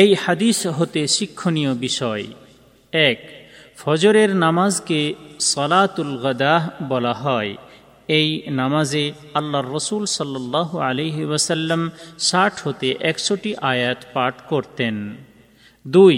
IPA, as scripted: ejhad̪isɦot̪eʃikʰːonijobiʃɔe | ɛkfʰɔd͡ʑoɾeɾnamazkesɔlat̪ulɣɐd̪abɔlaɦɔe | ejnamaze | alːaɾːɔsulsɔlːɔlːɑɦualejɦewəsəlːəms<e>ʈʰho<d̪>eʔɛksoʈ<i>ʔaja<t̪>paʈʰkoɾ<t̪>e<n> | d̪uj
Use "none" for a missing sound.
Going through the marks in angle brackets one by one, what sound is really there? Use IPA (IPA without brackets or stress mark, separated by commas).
a, t̪, i, t̪, t̪, n